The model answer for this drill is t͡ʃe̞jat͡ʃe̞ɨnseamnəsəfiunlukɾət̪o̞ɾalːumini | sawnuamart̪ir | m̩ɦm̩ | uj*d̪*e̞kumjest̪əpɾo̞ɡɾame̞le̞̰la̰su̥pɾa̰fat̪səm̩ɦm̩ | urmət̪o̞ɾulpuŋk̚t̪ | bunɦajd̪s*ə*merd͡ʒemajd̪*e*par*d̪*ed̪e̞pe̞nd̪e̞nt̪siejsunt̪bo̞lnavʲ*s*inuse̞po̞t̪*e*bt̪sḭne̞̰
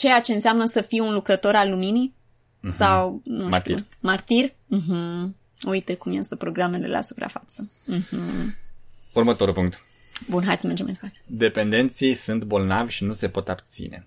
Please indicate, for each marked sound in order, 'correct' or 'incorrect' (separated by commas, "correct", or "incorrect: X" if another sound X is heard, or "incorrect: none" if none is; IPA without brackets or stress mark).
incorrect: t̪, correct, correct, incorrect: t̪, incorrect: ʃ, incorrect: a